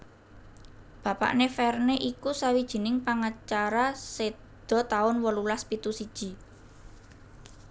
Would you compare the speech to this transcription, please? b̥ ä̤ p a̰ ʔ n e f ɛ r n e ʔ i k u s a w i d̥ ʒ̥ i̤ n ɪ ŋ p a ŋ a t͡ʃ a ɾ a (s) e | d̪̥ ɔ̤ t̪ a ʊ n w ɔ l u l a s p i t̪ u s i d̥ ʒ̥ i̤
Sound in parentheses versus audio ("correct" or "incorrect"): correct